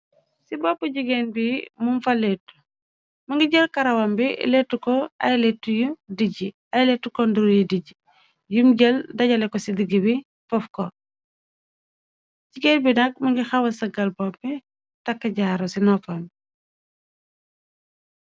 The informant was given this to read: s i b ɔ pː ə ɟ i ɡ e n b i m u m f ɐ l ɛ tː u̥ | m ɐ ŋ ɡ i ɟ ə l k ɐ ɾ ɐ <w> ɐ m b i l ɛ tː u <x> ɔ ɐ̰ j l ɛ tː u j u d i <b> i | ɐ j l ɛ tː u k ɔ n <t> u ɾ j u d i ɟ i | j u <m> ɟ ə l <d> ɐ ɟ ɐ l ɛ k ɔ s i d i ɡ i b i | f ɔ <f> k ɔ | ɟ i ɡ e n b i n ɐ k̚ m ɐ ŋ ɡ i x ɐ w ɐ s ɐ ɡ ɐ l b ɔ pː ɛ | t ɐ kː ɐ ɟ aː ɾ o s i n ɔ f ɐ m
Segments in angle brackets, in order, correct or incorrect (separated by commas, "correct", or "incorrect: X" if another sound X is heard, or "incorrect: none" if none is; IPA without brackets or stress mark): correct, incorrect: k, incorrect: ɟ, incorrect: d, correct, correct, correct